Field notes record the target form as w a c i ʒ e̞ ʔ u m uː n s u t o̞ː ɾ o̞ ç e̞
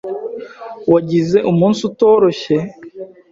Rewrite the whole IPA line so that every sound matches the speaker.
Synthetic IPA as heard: w a ɟ i z e̞ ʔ u m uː n s u t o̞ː ɾ o̞ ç e̞

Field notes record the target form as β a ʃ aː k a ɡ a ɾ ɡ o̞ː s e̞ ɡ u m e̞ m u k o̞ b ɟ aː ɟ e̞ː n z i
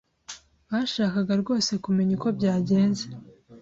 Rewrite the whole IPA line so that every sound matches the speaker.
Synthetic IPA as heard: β a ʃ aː k a ɡ a ɾ ɡ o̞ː s e̞ k u m e̞ ɲ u k o̞ b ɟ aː ɟ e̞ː n z e

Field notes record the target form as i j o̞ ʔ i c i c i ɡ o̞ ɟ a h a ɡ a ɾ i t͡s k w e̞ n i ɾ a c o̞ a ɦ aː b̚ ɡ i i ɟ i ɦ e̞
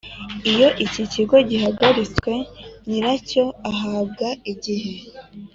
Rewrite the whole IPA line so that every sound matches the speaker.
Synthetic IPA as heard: i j o̞ ʔ i c i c i ɡ o̞ ɟ i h a ɡ a ɾ i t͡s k w e̞ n i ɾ a c o̞ a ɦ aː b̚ ɡ a i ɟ i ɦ e̞

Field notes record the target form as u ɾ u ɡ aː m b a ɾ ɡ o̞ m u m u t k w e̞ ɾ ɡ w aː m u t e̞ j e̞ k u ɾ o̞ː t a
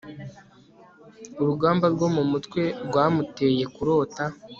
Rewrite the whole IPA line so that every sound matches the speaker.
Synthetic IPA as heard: u ɾ u ɡ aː m b a ɾ ɡ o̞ m u m u t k w e̞ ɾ ɡ w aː m u t e̞ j e̞ k u ɾ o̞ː t a

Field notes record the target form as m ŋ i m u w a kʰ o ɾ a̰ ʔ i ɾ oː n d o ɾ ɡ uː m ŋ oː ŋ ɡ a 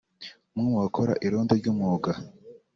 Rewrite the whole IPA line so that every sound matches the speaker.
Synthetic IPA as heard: m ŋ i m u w a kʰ o ɾ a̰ ʔ i ɾ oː n d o ɾ ɟ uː m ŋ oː ɡ a

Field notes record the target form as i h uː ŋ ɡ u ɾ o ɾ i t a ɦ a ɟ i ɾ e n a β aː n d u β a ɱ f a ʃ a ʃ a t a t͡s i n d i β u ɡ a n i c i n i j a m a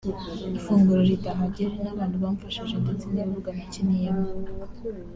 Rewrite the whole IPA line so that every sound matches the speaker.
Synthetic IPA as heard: i f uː ŋ ɡ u ɾ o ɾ i t a ɦ a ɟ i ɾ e n a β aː n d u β a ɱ f a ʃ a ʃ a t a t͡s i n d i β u ɡ a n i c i n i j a m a

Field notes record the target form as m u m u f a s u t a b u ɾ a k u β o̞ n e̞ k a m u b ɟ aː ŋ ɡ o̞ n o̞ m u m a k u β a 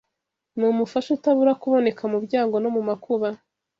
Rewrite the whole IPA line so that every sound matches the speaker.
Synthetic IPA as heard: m u m u f a ʃ u t a β u ɾ a k u β o̞ n e̞ k a m u b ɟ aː ŋ ɡ o̞ n o̞ m u m a k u β a

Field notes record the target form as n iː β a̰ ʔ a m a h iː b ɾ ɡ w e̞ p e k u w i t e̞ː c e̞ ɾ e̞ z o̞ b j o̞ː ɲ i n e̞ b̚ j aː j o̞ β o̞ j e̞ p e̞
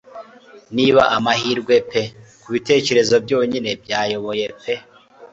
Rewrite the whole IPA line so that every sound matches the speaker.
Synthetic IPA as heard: n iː β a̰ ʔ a m a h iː ɾ ɡ w e̞ p e k u β i t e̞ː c e̞ ɾ e̞ z o̞ b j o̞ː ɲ i n e̞ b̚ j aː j o̞ β o̞ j e̞ p e̞

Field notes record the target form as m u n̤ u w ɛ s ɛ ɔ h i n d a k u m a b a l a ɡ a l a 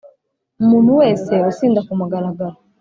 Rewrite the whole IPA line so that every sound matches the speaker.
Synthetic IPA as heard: m u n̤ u w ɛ s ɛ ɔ s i n d a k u m a ɡ a l a ɡ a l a

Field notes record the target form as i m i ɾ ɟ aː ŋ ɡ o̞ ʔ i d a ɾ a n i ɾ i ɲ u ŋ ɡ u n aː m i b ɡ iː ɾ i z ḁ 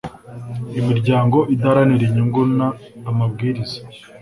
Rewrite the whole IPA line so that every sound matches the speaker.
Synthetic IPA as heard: i m i ɾ ɟ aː ŋ ɡ o̞ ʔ i d a ɾ a n i ɾ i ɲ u ŋ ɡ u n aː m a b ɡ iː ɾ i z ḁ

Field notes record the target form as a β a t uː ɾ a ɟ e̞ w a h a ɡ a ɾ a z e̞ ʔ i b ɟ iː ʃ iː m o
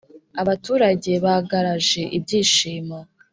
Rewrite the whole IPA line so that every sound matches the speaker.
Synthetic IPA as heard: a β a t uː ɾ a ɟ e̞ β a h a ɡ a ɾ a ʒ e̞ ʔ i b ɟ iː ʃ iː m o

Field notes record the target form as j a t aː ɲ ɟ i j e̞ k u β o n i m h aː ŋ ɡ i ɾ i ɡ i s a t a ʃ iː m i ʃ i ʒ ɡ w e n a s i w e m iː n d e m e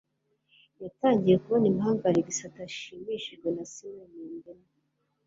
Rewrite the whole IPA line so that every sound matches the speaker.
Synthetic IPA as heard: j a t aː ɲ ɟ i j e̞ k u β o n i m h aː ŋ ɡ a ɾ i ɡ i s a t a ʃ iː m i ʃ i ʒ ɡ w e n a s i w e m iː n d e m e

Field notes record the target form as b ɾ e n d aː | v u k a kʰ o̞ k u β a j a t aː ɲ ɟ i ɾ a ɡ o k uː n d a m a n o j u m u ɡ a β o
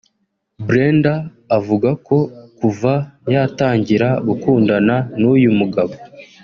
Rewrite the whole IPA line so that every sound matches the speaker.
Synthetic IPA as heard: b ɾ e n d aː | v u ɡ a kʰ o̞ k u v a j a t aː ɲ ɟ i ɾ a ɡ u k uː n d a n a n u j u m u ɡ a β o

